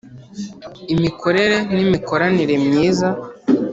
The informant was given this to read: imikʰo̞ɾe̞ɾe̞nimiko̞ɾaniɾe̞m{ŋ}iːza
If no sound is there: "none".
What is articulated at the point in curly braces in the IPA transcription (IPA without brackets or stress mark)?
ɲ